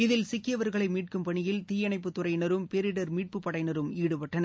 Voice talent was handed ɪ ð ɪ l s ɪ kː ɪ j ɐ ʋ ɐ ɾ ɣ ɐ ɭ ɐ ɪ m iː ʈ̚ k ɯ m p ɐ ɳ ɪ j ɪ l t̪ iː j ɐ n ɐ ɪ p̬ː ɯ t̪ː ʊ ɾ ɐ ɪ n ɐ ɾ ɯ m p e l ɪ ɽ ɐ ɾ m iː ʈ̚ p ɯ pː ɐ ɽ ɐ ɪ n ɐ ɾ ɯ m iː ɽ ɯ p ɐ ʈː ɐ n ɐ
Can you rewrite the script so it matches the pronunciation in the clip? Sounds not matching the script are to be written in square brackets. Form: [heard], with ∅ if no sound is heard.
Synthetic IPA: ɪ ð ɪ l s ɪ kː ɪ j ɐ ʋ ɐ ɾ ɣ ɐ ɭ ɐ ɪ m iː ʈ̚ k ɯ m p ɐ ɳ ɪ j ɪ l t̪ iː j ɐ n ɐ ɪ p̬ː ɯ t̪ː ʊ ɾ ɐ ɪ n ɐ ɾ ɯ m p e [ɾ] ɪ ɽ ɐ ɾ m iː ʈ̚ p ɯ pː ɐ ɽ ɐ ɪ n ɐ ɾ ɯ m iː ɽ ɯ p ɐ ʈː ɐ n ɐ